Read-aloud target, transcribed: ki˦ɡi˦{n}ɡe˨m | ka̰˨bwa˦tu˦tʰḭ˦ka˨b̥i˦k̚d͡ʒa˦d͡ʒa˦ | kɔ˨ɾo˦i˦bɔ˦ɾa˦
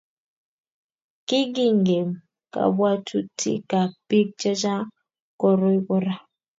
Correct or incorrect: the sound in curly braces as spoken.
incorrect: ŋ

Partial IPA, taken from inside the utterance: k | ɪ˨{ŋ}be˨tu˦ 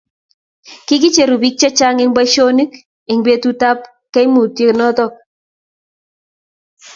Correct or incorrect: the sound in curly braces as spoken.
correct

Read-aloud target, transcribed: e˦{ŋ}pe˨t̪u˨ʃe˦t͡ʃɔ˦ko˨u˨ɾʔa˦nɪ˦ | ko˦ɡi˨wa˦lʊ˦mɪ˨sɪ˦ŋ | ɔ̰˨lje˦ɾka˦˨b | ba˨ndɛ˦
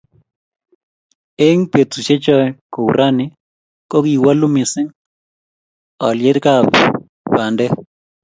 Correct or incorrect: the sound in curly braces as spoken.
correct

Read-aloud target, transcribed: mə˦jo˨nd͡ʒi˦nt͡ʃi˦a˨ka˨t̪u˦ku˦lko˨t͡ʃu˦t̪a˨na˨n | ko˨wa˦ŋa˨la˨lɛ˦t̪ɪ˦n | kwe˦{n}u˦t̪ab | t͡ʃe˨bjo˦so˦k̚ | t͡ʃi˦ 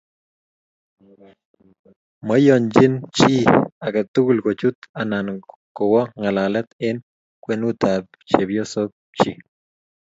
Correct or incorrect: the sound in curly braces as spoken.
correct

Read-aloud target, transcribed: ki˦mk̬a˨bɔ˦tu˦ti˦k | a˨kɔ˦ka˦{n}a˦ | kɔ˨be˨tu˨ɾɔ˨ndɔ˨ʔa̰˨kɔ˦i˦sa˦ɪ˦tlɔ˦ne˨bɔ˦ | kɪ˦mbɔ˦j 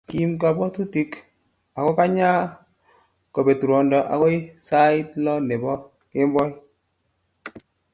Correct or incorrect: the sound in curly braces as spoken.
incorrect: ɲ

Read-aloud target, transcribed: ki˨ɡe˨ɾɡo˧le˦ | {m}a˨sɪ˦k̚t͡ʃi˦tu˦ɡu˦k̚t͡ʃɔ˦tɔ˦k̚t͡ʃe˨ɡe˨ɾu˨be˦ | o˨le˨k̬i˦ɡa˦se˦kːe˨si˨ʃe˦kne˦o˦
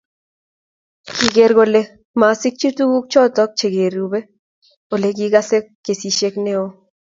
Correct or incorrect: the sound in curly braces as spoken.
correct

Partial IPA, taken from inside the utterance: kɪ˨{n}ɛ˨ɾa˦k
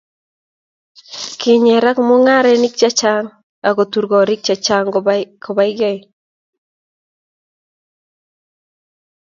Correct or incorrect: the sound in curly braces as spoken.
incorrect: ɲ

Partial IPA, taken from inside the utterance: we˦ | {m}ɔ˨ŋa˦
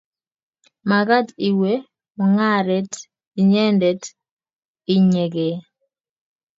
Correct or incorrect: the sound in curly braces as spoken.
correct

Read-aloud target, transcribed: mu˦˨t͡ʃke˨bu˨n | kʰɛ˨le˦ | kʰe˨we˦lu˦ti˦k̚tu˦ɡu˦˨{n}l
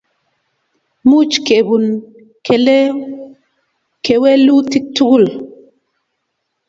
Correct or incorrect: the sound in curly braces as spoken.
incorrect: none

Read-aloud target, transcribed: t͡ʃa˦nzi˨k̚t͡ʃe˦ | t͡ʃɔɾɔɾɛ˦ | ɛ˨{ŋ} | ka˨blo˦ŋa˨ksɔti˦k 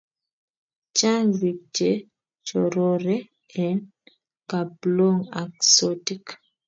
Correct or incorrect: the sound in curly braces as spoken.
incorrect: n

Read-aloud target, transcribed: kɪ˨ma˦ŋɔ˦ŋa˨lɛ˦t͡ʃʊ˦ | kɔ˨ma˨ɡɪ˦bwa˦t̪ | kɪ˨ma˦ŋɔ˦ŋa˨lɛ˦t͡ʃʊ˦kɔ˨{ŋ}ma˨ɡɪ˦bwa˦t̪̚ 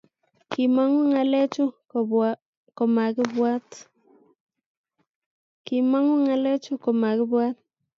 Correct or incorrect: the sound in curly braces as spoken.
incorrect: none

